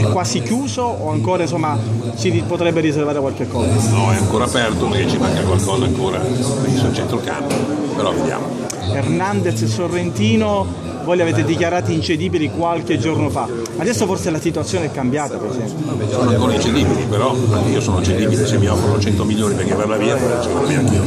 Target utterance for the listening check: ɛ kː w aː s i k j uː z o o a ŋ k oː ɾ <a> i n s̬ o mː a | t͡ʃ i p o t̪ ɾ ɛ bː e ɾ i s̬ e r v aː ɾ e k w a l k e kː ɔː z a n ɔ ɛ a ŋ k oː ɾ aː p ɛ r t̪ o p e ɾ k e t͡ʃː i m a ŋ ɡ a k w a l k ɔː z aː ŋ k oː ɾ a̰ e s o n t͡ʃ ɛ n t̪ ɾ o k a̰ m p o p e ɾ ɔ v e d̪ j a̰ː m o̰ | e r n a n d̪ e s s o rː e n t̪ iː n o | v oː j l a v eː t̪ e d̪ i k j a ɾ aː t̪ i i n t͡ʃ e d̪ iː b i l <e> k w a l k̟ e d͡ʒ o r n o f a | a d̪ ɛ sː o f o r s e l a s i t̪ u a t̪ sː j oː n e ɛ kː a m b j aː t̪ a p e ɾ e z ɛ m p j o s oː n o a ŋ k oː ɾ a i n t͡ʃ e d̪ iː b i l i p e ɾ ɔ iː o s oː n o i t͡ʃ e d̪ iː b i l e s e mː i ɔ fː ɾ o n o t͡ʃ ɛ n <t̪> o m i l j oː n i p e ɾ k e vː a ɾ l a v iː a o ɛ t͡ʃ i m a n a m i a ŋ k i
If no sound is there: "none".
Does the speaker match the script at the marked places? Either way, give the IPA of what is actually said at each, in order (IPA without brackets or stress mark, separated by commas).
a, i, t̪